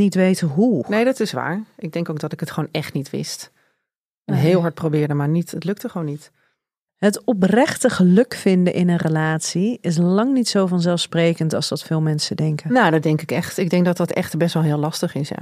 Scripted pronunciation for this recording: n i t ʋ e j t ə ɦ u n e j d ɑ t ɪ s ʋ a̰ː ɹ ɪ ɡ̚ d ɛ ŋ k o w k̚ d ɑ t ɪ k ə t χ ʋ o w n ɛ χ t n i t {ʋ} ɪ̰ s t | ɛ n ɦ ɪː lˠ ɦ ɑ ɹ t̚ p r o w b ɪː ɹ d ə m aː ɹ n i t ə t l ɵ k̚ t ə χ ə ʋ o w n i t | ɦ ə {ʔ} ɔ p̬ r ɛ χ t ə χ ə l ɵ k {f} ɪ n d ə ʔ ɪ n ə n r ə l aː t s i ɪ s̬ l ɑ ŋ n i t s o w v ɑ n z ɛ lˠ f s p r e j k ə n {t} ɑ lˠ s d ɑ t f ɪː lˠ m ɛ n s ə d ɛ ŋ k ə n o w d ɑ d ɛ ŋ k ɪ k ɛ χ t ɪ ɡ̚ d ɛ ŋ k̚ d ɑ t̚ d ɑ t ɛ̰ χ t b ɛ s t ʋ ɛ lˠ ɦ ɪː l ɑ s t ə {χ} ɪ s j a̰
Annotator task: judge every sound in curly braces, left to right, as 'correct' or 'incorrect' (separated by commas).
correct, incorrect, correct, correct, correct